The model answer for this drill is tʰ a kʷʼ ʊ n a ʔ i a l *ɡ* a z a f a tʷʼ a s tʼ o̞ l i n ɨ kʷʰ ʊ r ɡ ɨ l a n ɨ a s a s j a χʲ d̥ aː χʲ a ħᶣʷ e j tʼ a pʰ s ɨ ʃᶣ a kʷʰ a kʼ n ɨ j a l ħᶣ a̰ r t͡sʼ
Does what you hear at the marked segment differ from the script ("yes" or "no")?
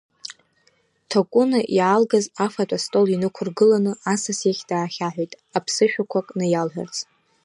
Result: no